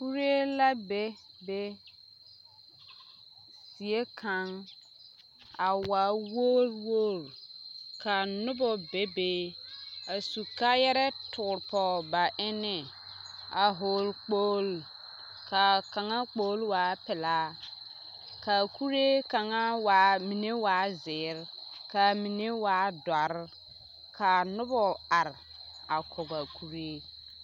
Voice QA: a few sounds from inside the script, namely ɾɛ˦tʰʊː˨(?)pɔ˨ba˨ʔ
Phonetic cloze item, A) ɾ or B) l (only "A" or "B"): A